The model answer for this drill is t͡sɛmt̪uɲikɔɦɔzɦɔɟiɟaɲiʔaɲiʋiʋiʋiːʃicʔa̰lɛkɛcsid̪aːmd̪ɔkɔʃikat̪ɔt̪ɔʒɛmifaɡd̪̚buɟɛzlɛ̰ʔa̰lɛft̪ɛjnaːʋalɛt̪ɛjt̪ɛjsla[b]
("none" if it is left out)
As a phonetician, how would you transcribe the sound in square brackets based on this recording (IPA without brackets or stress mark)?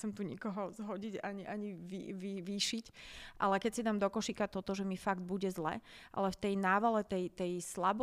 b